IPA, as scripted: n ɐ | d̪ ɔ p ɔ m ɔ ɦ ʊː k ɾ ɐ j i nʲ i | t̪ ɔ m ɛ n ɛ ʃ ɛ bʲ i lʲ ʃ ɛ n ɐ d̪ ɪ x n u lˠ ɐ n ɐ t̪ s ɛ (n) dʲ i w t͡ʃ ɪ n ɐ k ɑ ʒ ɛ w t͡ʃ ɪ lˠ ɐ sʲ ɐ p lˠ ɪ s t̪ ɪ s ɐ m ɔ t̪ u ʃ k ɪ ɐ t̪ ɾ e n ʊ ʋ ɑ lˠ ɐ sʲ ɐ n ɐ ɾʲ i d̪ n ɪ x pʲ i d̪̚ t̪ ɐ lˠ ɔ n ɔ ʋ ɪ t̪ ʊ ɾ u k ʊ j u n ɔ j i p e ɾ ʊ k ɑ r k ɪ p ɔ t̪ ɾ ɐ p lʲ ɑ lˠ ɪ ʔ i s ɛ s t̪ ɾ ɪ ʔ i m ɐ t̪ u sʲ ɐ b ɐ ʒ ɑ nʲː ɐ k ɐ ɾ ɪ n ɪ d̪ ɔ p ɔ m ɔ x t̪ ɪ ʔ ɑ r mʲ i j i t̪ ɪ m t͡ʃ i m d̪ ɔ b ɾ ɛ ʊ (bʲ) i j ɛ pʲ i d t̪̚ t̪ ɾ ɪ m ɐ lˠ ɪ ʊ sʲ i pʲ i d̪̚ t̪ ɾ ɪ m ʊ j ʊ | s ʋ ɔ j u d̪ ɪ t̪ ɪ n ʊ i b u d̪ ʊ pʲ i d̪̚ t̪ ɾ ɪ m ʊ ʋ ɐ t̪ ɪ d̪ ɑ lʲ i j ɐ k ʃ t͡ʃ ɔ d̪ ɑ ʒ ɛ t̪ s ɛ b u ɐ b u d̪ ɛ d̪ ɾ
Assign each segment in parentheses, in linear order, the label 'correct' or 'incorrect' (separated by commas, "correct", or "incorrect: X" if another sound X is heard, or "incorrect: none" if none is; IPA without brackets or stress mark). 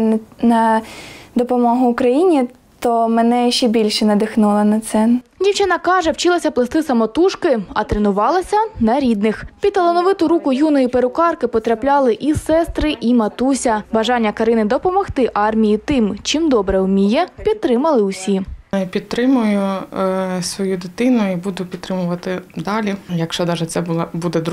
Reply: correct, incorrect: mʲ